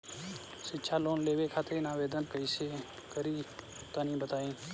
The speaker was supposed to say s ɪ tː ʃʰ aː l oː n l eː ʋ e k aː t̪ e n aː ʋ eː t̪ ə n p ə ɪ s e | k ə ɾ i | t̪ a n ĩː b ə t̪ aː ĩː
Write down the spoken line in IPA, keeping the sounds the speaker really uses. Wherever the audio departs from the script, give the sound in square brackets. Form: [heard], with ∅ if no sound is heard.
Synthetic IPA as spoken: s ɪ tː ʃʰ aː l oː n l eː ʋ e [kʰ] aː t̪ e n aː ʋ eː [d̪] ə n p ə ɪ s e | k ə ɾ i | t̪ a n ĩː b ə t̪ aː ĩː